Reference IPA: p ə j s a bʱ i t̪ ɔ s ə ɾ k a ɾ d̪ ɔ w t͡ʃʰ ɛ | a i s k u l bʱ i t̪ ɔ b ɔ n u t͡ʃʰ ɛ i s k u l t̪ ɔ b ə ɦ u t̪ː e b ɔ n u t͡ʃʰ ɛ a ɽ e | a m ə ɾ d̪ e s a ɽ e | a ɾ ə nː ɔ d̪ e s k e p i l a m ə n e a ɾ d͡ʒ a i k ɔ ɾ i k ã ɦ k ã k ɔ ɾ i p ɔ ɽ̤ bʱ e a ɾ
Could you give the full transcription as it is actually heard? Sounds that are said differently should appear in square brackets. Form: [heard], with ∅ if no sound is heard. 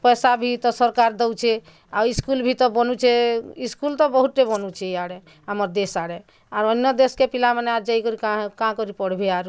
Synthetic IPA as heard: p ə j s a bʱ i t̪ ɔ s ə ɾ k a ɾ d̪ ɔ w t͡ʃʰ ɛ | a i s k u l bʱ i t̪ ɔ b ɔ n u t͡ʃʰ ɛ i s k u l t̪ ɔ b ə ɦ u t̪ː e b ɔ n u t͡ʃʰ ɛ a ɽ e | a m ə ɾ d̪ e s a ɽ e | a ɾ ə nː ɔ d̪ e s k e p i l a m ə n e a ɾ d͡ʒ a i k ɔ ɾ i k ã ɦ k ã k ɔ ɾ i p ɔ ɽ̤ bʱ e a ɾ